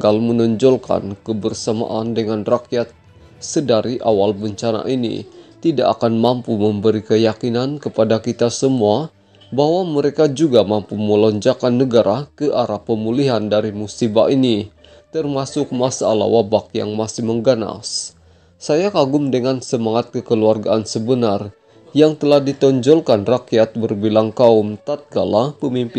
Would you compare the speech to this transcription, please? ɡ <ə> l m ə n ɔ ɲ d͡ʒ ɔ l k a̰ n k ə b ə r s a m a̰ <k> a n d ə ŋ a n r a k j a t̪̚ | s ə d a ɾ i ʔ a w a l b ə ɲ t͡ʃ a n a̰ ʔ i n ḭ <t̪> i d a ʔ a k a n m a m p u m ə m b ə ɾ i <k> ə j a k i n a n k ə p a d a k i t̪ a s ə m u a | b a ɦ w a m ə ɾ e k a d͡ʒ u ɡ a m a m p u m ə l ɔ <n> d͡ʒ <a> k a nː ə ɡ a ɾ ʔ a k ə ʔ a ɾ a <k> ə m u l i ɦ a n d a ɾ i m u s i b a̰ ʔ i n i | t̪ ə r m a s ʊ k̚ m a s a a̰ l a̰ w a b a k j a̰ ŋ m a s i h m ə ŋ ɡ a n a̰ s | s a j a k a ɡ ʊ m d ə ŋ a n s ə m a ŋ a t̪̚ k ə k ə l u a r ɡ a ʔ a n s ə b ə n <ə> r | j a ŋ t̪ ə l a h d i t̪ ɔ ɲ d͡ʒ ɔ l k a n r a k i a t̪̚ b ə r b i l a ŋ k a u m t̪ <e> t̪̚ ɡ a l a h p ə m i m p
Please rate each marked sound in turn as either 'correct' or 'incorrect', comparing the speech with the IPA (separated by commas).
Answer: incorrect, incorrect, correct, correct, incorrect, correct, incorrect, incorrect, incorrect